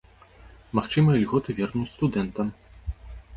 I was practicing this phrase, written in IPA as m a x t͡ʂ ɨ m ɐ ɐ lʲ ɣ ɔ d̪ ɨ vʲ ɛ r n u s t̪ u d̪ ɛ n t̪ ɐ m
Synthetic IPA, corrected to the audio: m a x t͡ʂ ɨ m ɐ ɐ lʲ ɣ ɔ t̪ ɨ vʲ ɛ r n u s t̪ u d̪ ɛ n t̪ ɐ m